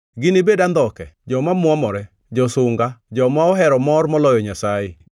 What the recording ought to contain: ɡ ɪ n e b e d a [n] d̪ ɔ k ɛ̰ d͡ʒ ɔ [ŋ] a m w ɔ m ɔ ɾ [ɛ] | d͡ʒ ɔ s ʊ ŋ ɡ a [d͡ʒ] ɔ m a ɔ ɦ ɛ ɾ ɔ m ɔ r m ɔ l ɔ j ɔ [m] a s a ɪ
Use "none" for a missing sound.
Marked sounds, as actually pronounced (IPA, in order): n, m, ɛ, d͡ʒ, ɲ

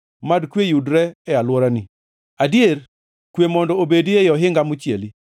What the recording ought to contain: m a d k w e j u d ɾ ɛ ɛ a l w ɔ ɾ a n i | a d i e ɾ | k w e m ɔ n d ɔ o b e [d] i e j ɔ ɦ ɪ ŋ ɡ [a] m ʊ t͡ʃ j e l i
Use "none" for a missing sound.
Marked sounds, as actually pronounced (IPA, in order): d, a

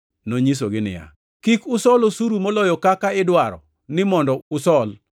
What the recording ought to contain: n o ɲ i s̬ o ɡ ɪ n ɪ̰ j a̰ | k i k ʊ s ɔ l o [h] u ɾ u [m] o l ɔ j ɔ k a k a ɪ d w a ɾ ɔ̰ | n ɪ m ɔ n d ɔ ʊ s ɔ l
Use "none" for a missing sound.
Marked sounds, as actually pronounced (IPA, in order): s, m

